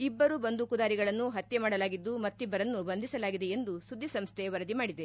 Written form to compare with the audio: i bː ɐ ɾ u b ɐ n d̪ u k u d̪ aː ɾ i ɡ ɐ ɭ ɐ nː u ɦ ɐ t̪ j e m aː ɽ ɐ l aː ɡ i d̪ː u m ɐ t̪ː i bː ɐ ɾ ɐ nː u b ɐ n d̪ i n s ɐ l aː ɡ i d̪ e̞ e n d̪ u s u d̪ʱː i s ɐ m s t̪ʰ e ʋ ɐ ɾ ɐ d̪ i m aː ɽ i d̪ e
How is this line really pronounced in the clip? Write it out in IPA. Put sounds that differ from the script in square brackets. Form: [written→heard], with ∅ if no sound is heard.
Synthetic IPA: i bː ɐ ɾ u b ɐ n d̪ u k u d̪ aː ɾ i ɡ ɐ ɭ ɐ nː u ɦ ɐ t̪ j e m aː ɽ ɐ l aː ɡ i d̪ː u m ɐ t̪ː i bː ɐ ɾ ɐ nː u b ɐ n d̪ i [n→∅] s ɐ l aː ɡ i d̪ e̞ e n d̪ u s u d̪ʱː i s ɐ m s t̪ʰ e ʋ ɐ ɾ ɐ d̪ i m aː ɽ i d̪ e